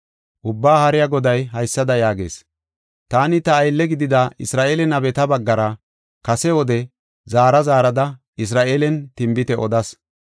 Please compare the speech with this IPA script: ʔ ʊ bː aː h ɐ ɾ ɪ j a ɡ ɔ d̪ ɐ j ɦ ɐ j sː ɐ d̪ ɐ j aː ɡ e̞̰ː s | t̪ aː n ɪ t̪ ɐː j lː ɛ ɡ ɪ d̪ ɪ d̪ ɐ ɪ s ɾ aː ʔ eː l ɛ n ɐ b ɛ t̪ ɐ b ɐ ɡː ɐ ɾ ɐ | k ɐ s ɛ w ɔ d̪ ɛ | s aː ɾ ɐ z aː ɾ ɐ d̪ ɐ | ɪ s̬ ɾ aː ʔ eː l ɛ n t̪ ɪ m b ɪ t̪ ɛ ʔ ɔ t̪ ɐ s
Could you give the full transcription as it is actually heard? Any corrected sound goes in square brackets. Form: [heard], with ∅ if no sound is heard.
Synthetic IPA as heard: ʔ ʊ bː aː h ɐ ɾ ɪ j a ɡ ɔ d̪ ɐ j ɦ ɐ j sː ɐ d̪ ɐ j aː ɡ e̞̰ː s | t̪ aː n ɪ t̪ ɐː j lː ɛ ɡ ɪ d̪ ɪ d̪ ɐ ɪ s ɾ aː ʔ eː l ɛ n ɐ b ɛ t̪ ɐ b ɐ ɡː ɐ ɾ ɐ | k ɐ s ɛ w ɔ d̪ ɛ | [z] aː ɾ ɐ z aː ɾ ɐ d̪ ɐ | ɪ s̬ ɾ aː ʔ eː l ɛ n t̪ ɪ m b ɪ t̪ ɛ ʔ ɔ [d̪] ɐ s